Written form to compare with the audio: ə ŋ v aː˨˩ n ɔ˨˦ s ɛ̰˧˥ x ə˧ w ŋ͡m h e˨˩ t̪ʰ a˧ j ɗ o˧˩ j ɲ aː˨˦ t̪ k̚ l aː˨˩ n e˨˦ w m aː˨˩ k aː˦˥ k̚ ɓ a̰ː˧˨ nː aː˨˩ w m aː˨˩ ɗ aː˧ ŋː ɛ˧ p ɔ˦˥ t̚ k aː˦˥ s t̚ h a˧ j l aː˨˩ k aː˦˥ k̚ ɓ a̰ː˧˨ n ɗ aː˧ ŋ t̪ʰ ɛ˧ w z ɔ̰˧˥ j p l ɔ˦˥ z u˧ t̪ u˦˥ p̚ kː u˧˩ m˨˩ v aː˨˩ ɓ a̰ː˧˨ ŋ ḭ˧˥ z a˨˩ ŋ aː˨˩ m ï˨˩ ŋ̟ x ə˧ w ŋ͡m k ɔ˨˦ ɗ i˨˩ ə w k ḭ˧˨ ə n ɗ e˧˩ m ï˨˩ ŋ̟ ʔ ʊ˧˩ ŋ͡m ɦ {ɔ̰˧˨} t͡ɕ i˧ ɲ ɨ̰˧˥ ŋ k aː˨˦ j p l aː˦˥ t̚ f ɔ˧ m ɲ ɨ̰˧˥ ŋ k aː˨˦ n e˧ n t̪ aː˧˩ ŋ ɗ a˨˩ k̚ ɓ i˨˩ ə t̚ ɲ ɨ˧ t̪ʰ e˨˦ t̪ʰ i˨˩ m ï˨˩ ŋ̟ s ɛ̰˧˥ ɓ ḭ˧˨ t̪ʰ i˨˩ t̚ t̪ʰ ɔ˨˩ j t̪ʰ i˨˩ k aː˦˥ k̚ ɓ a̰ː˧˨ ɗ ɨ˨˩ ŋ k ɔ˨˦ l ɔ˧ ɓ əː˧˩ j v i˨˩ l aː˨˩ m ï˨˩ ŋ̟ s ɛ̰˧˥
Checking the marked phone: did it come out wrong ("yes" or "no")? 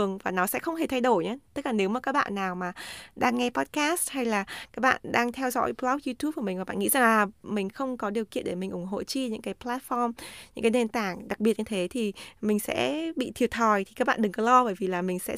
yes